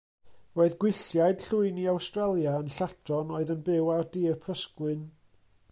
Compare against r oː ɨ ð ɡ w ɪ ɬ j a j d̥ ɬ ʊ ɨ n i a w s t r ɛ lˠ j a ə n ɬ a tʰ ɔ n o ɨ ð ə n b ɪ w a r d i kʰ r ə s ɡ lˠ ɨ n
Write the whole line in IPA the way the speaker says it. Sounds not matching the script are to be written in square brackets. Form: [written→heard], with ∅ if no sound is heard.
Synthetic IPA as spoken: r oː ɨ ð ɡ w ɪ ɬ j a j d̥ ɬ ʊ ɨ n i a w s t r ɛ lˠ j a ə n ɬ a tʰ ɔ n o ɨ ð ə n b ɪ w a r d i [kʰ→pʰ] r ə s [ɡ→k] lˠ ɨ n